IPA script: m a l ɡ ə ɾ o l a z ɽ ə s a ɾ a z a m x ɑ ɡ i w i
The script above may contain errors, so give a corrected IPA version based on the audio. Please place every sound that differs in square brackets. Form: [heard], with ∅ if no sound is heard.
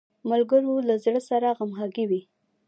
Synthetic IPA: m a l ɡ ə ɾ o l a z ɽ ə s a ɾ a [ɣ] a m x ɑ ɡ i w i